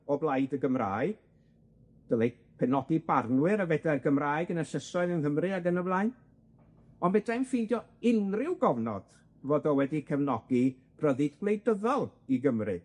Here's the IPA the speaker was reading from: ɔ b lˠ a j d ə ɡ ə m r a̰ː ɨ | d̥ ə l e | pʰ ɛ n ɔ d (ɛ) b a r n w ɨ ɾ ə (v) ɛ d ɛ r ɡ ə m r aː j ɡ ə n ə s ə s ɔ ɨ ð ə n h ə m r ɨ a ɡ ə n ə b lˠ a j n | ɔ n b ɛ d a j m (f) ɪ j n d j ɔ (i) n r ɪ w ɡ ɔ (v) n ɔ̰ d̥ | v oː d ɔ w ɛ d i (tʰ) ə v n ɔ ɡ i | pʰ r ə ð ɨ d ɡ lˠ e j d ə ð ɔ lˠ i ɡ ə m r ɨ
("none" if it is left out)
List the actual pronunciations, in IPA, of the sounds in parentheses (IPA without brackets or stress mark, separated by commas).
i, v, f, ɪ, v, kʰ